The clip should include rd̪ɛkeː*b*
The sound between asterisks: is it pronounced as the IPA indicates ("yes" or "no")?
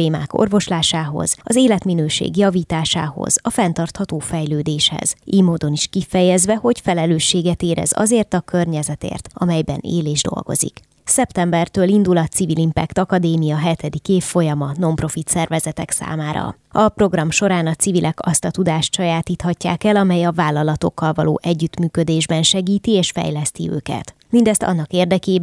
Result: yes